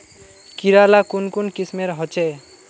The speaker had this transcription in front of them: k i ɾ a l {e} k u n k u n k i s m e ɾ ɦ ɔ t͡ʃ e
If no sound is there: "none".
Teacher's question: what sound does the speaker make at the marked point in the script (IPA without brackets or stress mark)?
a